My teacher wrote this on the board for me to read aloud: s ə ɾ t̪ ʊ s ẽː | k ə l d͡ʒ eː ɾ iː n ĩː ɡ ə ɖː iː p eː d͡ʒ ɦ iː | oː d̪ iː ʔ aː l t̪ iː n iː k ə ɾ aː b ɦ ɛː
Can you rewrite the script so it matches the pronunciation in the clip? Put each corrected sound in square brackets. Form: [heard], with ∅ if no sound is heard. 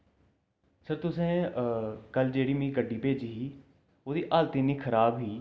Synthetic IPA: s ə ɾ t̪ ʊ s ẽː | k ə l d͡ʒ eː [ɽ] iː [m] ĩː ɡ ə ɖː iː p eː d͡ʒ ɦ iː | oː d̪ iː ʔ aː l t̪ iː n iː [kʰ] ə ɾ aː b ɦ [iː]